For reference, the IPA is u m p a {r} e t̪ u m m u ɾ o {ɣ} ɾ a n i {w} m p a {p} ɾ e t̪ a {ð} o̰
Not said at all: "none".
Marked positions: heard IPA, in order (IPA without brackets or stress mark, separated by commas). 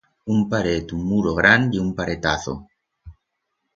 ɾ, ɣ, u, none, θ